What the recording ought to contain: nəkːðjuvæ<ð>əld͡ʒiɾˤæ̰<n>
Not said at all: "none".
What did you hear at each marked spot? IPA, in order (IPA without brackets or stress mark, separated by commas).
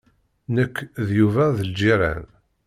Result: ð, n